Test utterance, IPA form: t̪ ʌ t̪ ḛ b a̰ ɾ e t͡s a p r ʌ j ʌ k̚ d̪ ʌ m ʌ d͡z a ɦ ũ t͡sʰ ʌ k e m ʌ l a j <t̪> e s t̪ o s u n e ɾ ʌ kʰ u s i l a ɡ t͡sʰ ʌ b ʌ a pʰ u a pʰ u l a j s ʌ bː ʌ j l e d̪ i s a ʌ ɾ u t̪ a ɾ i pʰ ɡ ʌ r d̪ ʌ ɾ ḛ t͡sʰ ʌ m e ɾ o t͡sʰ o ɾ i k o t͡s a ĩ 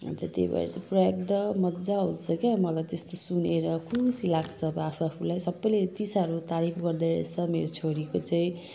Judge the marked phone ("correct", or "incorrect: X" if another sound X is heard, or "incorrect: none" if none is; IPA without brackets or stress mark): correct